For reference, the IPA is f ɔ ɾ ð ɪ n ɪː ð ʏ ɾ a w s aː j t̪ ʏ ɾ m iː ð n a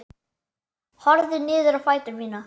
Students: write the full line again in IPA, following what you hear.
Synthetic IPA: h ɔ ɾ ð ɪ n ɪː ð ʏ ɾ a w f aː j t̪ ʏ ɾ m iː n a